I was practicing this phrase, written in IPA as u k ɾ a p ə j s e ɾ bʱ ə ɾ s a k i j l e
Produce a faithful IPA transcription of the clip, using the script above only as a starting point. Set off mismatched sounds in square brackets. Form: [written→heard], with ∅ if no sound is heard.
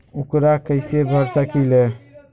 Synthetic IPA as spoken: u k ɾ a [p→k] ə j s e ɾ bʱ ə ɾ s a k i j l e